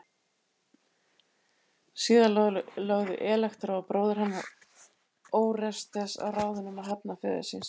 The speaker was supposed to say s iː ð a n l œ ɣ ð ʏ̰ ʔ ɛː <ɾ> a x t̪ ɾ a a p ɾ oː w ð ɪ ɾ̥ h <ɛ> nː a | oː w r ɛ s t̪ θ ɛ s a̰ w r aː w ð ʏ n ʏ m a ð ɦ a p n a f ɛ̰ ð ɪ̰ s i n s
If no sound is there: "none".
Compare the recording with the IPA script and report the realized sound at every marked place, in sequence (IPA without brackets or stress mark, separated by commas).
l, a